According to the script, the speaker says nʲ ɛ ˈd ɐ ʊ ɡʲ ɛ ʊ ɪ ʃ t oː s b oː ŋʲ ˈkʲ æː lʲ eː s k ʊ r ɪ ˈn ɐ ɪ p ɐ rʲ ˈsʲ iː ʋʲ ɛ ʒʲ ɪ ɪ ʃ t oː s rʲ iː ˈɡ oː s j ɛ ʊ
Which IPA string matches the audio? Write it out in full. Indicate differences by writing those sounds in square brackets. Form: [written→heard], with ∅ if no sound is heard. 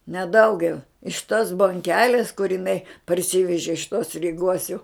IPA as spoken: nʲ ɛ ˈd ɐ ʊ ɡʲ ɛ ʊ ɪ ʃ t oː s b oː ŋʲ ˈkʲ æː lʲ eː s k ʊ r ɪ ˈn ɐ ɪ p ɐ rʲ ˈsʲ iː ʋʲ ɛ ʒʲ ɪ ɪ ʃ t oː s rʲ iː ˈɡ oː s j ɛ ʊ

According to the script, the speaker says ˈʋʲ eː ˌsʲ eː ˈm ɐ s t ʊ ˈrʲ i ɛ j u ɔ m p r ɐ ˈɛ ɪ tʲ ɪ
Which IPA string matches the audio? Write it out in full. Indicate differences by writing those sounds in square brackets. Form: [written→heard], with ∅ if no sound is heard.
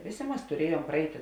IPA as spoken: ˈʋʲ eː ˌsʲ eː ˈm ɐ s t ʊ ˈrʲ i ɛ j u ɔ m p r ɐ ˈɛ ɪ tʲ ɪ

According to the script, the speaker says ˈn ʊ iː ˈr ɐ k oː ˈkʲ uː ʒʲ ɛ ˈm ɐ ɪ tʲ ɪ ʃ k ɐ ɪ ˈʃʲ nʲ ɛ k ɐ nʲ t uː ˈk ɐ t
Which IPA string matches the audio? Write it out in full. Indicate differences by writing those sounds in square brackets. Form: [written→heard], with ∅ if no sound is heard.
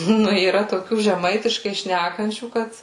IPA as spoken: ˈn ʊ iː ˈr ɐ [k→t] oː ˈkʲ uː ʒʲ ɛ ˈm ɐ ɪ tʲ ɪ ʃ k ɐ ɪ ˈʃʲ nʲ [ɛ→æ] k ɐ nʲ [t→t͡ʃʲ] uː ˈk ɐ t

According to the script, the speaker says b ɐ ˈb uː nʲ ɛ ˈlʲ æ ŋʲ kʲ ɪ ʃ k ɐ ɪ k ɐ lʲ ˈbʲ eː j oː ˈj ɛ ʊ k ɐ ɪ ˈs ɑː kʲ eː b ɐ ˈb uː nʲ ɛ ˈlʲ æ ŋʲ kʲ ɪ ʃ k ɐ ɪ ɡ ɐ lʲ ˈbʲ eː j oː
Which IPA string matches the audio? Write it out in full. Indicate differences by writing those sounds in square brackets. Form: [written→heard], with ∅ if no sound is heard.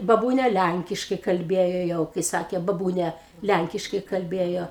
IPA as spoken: b ɐ ˈb uː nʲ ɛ ˈlʲ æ ŋʲ kʲ ɪ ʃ k ɐ ɪ k ɐ lʲ ˈbʲ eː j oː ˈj ɛ ʊ k ɐ ɪ ˈs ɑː kʲ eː b ɐ ˈb uː nʲ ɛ ˈlʲ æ ŋʲ kʲ ɪ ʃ k ɐ ɪ [ɡ→k] ɐ lʲ ˈbʲ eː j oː

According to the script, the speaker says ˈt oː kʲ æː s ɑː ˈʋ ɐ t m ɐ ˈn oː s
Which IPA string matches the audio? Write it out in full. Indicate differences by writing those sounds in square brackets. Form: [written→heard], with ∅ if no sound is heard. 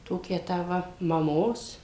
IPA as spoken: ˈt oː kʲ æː [s→t] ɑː ˈʋ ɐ [t→∅] m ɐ [ˈn→ˈm] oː s

